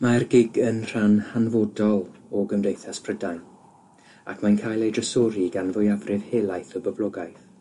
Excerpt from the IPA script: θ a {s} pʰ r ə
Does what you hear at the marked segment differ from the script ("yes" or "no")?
no